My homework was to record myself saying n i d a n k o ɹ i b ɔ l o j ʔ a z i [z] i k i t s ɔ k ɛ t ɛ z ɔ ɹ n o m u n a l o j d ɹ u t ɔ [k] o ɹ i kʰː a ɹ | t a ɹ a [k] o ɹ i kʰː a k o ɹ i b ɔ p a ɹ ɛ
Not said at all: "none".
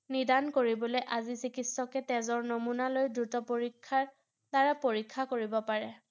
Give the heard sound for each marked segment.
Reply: s, p, p

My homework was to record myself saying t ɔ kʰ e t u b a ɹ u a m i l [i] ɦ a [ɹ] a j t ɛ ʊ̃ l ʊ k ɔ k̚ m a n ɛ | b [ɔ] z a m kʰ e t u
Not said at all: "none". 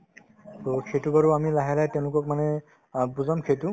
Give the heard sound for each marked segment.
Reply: a, l, u

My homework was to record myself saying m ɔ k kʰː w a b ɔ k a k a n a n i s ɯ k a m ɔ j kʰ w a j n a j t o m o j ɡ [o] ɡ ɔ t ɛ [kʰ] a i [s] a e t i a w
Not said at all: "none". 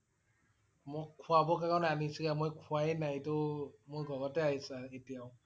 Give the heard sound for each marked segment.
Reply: ɔ, none, s

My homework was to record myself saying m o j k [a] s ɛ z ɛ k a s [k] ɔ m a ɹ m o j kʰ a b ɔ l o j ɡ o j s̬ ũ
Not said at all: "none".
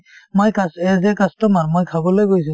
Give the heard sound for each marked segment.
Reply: a, t

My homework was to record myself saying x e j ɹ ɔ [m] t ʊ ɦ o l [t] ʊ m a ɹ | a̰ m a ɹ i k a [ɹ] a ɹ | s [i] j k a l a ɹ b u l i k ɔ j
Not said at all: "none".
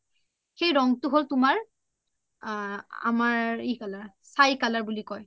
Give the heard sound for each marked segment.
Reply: ŋ, t, l, a

